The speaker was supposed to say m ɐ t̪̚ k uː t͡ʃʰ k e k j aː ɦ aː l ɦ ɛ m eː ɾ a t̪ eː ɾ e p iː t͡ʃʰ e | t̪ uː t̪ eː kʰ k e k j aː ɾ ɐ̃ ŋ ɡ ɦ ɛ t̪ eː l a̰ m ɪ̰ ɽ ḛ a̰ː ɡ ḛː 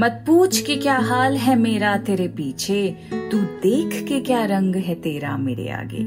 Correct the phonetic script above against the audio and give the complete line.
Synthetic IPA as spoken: m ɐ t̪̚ p uː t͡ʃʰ k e k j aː ɦ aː l ɦ ɛ m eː ɾ a t̪ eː ɾ e p iː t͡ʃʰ e | t̪ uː d̪ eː kʰ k e k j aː ɾ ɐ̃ ŋ ɡ ɦ ɛ t̪ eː ɾ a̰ m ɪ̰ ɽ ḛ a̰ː ɡ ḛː